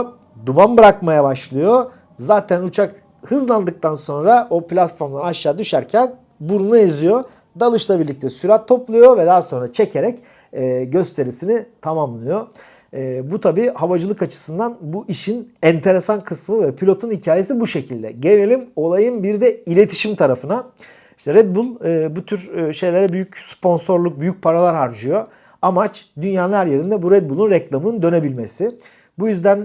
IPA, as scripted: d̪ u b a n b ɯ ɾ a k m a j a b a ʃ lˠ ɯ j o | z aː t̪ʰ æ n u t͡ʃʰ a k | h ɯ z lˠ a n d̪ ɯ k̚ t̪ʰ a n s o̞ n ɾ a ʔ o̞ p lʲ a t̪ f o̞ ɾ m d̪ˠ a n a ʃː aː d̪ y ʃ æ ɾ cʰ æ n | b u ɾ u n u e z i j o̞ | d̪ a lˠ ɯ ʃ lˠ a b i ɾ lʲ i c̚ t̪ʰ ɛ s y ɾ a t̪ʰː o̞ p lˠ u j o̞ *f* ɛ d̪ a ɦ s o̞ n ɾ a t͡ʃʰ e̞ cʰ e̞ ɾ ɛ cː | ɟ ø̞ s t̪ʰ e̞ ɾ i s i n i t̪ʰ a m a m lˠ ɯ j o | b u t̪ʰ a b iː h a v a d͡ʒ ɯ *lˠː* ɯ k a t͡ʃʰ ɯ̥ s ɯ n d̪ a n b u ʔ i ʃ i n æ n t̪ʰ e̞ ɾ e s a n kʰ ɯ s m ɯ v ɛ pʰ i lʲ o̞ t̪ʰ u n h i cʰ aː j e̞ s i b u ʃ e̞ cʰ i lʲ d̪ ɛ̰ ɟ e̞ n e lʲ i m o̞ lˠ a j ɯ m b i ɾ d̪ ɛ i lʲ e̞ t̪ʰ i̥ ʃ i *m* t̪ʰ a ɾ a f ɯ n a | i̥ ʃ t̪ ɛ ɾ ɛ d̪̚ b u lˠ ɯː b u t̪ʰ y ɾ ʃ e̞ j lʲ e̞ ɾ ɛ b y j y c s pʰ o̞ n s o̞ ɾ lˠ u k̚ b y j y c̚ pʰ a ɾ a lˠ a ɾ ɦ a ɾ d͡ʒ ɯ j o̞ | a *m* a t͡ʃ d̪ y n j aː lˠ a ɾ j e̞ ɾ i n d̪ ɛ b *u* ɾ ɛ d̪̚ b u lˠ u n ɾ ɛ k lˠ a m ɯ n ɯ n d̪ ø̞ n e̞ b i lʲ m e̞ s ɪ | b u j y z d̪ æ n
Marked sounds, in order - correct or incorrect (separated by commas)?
incorrect, incorrect, correct, correct, correct